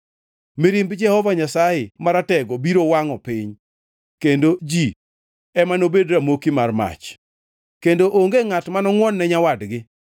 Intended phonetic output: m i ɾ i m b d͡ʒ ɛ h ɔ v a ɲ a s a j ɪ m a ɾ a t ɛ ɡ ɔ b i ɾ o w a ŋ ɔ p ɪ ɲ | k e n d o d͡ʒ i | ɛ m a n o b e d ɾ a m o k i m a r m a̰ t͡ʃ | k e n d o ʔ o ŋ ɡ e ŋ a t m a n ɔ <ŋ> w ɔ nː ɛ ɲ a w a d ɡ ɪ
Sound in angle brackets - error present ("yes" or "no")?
no